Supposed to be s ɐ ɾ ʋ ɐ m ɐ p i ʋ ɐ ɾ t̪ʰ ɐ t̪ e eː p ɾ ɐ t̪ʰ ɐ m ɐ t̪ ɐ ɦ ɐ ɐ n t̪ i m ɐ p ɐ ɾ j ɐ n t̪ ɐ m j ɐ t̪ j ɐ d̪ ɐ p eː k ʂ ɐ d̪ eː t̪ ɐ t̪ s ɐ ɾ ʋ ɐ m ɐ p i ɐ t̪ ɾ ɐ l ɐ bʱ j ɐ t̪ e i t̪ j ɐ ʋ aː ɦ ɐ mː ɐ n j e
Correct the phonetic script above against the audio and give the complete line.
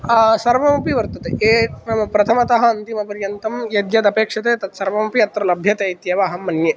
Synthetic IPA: s ɐ ɾ ʋ ɐ m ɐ p i ʋ ɐ ɾ t̪ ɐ t̪ e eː p ɾ ɐ t̪ʰ ɐ m ɐ t̪ ɐ ɦ ɐ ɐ n t̪ i m ɐ p ɐ ɾ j ɐ n t̪ ɐ m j ɐ d̪ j ɐ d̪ ɐ p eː k ʂ ɐ t̪ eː t̪ ɐ t̪ s ɐ ɾ ʋ ɐ m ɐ p i ɐ t̪ ɾ ɐ l ɐ bʱ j ɐ t̪ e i t̪ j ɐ ʋ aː ɦ ɐ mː ɐ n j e

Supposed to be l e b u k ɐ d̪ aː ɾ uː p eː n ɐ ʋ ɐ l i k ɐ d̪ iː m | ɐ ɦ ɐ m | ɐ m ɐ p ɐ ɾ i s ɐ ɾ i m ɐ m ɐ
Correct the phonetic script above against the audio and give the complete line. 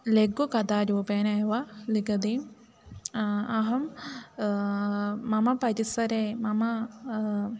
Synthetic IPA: l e ɡ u k ɐ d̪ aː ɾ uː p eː n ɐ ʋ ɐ l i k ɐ d̪ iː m | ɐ ɦ ɐ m | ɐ m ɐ p ɐ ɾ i s ɐ ɾ e m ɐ m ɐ

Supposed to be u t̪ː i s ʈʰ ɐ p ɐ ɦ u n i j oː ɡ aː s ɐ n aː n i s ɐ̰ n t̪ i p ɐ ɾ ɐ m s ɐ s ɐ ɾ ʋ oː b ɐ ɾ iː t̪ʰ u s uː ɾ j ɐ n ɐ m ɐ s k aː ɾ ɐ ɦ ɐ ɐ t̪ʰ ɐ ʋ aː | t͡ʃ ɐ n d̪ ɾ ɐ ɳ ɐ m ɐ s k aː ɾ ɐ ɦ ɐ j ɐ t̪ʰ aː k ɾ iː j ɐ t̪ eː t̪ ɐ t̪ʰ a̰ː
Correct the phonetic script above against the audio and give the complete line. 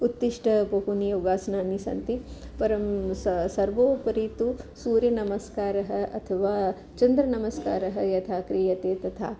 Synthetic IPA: u t̪ː i ʂ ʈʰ ɐ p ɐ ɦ u n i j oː ɡ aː s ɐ n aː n i s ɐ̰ n t̪ i p ɐ ɾ ɐ m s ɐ s ɐ ɾ ʋ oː p ɐ ɾ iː t̪ u s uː ɾ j ɐ n ɐ m ɐ s k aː ɾ ɐ ɦ ɐ ɐ t̪ʰ ɐ ʋ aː | t͡ʃ ɐ n d̪ ɾ ɐ n ɐ m ɐ s k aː ɾ ɐ ɦ ɐ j ɐ t̪ʰ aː k ɾ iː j ɐ t̪ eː t̪ ɐ t̪ʰ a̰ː

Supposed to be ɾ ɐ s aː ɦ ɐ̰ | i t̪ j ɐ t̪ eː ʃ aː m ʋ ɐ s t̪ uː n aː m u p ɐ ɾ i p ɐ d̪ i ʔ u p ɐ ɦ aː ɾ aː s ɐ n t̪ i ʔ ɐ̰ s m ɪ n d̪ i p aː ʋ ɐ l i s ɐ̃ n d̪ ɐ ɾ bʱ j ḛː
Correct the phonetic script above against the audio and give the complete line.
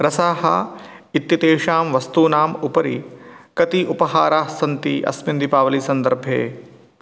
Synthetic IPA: ɾ ɐ s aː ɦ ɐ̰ | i t̪ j ɐ t̪ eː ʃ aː m ʋ ɐ s t̪ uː n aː m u p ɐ ɾ i k ɐ t̪ i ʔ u p ɐ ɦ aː ɾ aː s ɐ n t̪ i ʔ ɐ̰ s m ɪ n d̪ i p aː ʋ ɐ l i s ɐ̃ n d̪ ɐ ɾ bʱ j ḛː

